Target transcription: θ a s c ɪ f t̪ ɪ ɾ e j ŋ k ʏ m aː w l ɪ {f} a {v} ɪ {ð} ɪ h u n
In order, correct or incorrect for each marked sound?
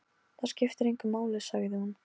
incorrect: s, incorrect: ɣ, correct

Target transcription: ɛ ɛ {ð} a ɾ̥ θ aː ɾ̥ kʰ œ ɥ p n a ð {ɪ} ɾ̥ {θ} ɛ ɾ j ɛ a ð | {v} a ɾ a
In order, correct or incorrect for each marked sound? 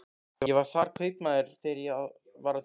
incorrect: v, correct, correct, correct

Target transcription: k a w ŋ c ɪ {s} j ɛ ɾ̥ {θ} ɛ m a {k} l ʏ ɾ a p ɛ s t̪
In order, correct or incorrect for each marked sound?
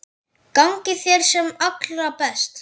incorrect: θ, incorrect: s, correct

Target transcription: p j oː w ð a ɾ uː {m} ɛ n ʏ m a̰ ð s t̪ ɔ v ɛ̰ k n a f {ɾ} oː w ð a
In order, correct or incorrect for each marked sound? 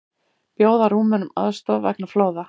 correct, incorrect: l

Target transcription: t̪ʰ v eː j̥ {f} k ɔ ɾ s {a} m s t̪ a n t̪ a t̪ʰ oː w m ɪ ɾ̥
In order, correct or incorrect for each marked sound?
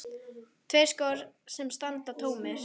incorrect: s, incorrect: ɛ

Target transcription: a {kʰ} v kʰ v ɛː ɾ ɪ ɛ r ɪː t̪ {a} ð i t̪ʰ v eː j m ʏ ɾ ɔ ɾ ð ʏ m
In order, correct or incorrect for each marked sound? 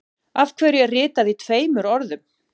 incorrect: none, correct

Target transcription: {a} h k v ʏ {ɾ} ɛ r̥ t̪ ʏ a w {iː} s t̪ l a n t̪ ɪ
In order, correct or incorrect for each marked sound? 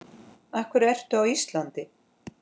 correct, correct, incorrect: i

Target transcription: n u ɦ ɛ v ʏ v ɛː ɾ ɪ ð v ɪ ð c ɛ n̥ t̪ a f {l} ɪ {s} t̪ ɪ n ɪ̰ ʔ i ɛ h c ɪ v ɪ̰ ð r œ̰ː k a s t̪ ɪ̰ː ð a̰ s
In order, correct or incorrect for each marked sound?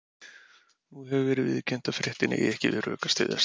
incorrect: ɾ, incorrect: h

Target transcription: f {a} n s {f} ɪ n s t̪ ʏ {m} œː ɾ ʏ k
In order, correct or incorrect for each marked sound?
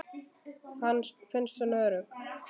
correct, correct, incorrect: n

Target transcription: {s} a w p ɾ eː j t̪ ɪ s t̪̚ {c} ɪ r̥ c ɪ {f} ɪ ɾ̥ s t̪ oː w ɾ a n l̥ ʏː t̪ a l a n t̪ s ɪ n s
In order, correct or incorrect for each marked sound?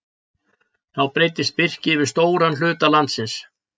incorrect: θ, incorrect: p, incorrect: v

